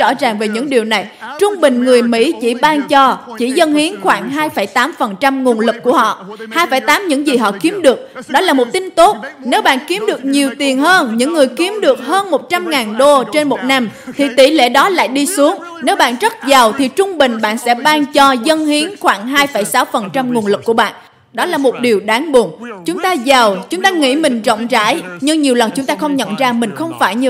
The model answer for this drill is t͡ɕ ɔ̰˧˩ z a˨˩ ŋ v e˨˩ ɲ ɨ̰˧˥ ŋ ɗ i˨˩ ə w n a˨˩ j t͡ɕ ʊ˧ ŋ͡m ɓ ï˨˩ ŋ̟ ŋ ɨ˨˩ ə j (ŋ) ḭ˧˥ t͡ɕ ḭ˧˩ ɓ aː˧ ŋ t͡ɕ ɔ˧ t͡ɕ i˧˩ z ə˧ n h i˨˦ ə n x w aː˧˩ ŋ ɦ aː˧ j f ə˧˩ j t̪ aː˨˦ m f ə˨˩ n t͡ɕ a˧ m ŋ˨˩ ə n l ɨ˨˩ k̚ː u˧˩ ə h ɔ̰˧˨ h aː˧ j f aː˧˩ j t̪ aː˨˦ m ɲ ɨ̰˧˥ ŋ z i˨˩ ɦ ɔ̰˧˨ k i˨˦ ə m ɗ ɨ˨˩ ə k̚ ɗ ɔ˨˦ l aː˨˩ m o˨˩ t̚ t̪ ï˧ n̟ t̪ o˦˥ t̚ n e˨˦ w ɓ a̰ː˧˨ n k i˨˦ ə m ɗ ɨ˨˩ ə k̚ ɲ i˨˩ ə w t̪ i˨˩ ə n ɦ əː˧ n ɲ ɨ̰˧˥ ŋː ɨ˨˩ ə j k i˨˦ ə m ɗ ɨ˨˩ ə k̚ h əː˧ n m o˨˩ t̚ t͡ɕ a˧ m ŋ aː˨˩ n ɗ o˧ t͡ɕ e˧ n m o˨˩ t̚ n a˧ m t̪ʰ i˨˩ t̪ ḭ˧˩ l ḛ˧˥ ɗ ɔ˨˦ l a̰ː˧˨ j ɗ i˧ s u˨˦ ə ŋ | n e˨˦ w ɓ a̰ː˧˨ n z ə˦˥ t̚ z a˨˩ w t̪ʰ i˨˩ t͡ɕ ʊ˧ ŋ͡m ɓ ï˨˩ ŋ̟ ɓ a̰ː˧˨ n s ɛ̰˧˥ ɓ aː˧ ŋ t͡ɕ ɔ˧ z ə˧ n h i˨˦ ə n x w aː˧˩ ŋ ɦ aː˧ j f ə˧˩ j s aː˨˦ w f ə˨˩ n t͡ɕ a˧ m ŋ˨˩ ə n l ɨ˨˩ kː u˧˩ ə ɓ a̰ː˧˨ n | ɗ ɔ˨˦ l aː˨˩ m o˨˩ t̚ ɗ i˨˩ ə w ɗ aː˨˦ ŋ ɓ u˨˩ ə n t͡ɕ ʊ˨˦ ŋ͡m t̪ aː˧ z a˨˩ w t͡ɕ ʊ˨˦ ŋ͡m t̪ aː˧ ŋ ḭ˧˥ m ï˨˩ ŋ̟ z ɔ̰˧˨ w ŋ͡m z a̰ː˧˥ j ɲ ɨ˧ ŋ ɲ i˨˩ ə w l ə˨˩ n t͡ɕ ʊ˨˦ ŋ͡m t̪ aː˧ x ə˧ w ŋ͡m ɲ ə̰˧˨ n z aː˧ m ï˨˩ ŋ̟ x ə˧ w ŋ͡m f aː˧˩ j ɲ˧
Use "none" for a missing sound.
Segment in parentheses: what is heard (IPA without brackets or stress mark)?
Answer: m